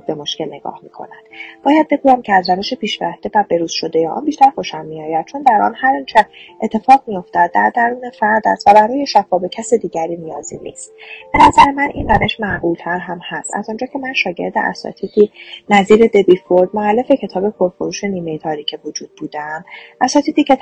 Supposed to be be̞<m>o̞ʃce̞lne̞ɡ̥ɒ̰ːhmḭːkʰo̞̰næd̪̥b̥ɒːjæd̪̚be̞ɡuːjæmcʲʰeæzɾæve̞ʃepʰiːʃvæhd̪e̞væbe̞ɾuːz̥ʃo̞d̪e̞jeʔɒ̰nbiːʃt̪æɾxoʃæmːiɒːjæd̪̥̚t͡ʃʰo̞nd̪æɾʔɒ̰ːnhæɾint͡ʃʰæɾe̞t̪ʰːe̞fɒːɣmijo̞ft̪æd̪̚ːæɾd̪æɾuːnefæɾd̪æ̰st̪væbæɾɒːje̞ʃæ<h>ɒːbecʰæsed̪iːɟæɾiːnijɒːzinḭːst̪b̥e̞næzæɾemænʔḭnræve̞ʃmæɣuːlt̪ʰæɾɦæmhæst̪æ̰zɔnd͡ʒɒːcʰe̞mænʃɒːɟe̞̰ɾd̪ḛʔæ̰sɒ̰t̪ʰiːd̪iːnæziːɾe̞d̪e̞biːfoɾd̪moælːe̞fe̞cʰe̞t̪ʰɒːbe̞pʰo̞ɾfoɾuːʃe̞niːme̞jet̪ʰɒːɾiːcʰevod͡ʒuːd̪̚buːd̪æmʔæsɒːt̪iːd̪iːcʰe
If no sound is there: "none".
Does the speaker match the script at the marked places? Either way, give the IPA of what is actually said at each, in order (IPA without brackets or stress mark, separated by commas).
m, f